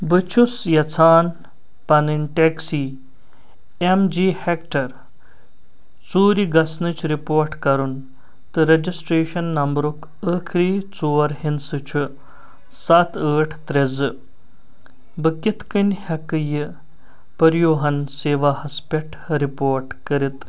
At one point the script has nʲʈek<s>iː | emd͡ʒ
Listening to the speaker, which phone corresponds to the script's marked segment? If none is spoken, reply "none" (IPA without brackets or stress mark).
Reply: s